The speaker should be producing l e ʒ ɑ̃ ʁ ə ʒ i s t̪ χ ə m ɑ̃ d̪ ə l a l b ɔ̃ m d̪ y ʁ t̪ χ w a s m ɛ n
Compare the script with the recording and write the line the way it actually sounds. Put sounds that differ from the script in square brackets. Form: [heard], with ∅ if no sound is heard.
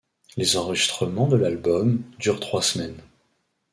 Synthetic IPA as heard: l e [z] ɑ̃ ʁ ə ʒ i s t̪ χ ə m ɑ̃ d̪ ə l a l b [ɔ] m d̪ y ʁ t̪ χ w a s m ɛ n